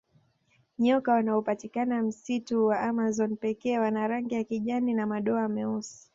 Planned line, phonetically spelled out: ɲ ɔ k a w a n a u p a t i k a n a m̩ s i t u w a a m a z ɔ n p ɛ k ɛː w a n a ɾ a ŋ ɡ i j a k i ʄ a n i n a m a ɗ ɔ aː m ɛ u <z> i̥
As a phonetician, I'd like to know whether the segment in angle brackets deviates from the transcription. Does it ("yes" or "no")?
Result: yes